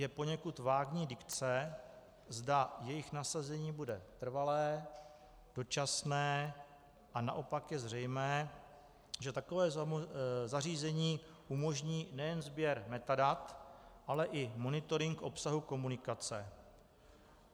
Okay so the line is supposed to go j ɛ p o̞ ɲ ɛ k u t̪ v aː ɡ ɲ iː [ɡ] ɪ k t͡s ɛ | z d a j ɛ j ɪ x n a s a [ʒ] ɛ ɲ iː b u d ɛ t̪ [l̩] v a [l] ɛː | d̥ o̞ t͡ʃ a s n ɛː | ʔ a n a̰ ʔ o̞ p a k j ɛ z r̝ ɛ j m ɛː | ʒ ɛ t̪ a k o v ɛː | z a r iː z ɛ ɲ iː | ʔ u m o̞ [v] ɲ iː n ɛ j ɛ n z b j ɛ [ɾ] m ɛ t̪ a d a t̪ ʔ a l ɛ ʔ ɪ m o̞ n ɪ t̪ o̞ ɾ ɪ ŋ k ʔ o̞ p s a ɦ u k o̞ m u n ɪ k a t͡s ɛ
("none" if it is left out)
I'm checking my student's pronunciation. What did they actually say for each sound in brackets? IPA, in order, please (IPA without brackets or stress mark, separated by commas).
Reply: d, z, r̩, l, ʒ, ɾ